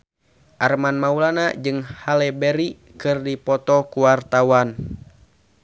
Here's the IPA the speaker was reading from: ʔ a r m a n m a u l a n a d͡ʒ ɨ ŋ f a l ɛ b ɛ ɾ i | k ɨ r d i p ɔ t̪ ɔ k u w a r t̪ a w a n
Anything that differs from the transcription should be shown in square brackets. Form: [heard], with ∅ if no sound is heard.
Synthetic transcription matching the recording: ʔ a r m a n m a u l a n a d͡ʒ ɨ ŋ [h] a l ɛ b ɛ ɾ i | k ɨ r d i p ɔ t̪ ɔ k u w a r t̪ a w a n